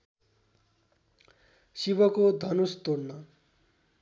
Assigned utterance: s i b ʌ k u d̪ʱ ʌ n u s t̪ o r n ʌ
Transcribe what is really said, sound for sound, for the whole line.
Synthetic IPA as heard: s i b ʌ k o d̪ʱ ʌ n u s t̪ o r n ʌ

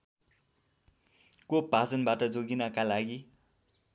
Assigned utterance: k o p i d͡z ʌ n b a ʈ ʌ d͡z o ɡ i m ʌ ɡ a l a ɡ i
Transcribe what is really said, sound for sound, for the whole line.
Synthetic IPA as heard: k o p a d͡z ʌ n b a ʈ ʌ d͡z o ɡ i n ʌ k a l a ɡ i

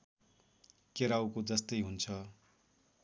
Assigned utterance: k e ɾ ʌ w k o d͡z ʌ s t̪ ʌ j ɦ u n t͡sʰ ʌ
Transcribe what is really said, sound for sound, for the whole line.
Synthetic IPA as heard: k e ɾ a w k o d͡z ʌ s t̪ ʌ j ɦ u n t͡sʰ ʌ

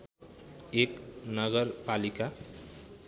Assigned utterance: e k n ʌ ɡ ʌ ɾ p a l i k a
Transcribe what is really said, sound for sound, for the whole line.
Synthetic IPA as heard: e k n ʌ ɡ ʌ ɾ p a l i k a

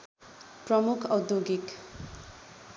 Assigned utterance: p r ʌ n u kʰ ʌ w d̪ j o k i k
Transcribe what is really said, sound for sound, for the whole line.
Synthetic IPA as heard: p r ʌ m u kʰ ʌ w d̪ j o ɡ i k

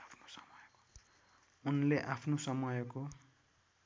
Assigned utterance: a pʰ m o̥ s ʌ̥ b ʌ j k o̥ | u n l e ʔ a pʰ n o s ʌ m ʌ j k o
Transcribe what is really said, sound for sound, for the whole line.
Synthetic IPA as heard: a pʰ n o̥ s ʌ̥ m ʌ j k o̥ | u n l e ʔ a pʰ n o s ʌ m ʌ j k o

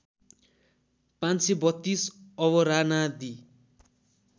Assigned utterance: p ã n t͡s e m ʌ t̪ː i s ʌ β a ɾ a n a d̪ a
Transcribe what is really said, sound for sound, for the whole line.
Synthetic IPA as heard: p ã n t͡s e b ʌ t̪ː i s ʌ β ʌ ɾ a n a d̪ i

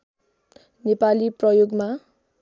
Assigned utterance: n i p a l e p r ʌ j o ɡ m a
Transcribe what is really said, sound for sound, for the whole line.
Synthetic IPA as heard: n e p a l i p r ʌ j o ɡ m a

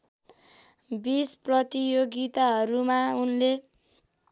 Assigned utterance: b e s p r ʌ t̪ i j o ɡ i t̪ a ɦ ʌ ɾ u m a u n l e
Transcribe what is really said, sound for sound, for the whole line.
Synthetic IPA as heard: b i s p r ʌ t̪ i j o ɡ i t̪ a ɦ ʌ ɾ u m a u n l e

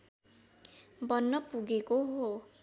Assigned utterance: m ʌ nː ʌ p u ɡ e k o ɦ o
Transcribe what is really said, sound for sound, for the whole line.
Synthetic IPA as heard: b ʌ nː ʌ p u ɡ e k o ɦ o

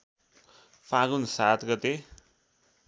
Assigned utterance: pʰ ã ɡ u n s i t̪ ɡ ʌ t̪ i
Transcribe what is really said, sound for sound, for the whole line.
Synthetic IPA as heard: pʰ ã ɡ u n s a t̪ ɡ ʌ t̪ e

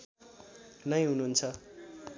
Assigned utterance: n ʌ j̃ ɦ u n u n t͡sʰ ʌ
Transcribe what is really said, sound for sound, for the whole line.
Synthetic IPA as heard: n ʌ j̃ ɦ u n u n t͡sʰ ʌ

